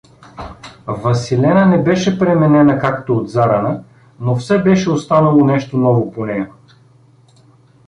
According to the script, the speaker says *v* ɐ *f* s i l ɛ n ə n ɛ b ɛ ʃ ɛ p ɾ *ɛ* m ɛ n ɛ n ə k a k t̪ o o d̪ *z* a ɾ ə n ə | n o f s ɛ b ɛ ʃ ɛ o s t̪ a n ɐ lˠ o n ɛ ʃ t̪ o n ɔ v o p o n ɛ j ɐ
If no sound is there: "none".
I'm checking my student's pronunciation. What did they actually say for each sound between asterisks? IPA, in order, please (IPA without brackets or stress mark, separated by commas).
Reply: v, none, ɛ, z